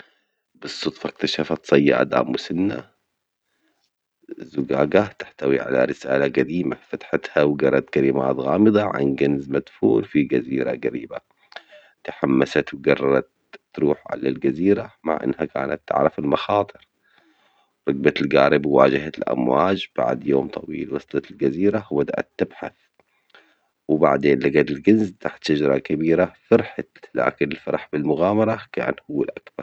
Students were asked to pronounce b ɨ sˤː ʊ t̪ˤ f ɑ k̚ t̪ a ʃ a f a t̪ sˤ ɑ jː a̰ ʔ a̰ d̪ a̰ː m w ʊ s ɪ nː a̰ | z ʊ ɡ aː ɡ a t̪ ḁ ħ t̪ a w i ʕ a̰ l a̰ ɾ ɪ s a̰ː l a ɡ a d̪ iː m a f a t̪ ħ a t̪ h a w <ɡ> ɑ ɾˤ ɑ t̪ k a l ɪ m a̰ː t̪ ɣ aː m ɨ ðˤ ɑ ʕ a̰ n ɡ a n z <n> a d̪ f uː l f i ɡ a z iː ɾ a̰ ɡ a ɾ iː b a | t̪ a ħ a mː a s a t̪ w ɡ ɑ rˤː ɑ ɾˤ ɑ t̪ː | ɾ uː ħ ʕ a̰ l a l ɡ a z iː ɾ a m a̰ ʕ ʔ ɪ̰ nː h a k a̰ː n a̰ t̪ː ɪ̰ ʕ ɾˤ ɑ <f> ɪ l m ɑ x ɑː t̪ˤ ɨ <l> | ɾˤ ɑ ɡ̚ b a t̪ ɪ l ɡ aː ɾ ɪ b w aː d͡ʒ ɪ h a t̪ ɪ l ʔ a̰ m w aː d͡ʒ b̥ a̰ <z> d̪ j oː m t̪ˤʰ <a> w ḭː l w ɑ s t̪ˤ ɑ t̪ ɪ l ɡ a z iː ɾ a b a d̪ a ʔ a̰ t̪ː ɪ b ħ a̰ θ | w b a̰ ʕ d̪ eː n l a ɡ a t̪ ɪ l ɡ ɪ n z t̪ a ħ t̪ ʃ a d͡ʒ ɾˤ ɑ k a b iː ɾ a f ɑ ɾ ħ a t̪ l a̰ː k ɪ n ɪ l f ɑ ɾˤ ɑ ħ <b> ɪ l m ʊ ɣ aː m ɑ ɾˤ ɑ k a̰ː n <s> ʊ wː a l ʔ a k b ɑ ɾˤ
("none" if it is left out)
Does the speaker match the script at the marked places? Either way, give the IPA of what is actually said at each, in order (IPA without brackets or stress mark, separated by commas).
ɡ, m, f, ɾ, ʕ, ɑ, b, h